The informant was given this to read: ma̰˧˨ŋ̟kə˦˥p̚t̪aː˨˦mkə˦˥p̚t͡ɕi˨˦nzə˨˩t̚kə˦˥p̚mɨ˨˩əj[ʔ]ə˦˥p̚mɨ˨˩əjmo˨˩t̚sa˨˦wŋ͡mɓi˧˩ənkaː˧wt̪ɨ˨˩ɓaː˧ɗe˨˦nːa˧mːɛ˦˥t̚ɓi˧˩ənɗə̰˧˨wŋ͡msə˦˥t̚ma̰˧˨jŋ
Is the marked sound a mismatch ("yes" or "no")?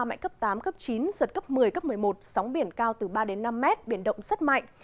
yes